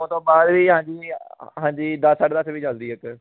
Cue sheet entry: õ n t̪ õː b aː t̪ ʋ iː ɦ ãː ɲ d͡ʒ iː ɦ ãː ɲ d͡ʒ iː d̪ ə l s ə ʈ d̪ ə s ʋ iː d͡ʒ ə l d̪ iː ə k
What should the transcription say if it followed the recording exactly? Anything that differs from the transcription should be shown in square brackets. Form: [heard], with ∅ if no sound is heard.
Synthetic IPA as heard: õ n t̪ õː b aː [d̪] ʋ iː ɦ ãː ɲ d͡ʒ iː ɦ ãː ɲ d͡ʒ iː d̪ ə [∅] s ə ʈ d̪ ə s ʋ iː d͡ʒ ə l d̪ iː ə k